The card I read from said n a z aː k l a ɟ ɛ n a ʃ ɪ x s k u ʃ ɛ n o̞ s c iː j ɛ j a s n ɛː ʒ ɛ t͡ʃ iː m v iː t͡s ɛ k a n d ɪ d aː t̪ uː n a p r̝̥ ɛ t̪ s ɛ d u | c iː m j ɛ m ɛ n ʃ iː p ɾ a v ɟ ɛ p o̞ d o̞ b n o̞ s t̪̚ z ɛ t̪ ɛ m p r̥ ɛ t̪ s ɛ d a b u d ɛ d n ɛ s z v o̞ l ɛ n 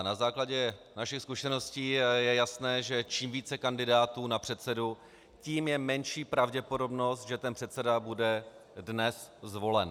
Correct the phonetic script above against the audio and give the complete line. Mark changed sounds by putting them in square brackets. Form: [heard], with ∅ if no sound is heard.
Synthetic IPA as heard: n a z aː k l a ɟ ɛ n a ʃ ɪ x s k u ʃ ɛ n o̞ s c iː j ɛ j a s n ɛː ʒ ɛ t͡ʃ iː m v iː t͡s ɛ k a n d ɪ d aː t̪ uː n a p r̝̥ ɛ t̪ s ɛ d u | c iː m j ɛ m ɛ n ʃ iː p ɾ a v ɟ ɛ p o̞ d o̞ b n o̞ s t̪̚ [ʒ] ɛ t̪ ɛ [n] p r̥ ɛ t̪ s ɛ d a b u d ɛ d n ɛ s z v o̞ l ɛ n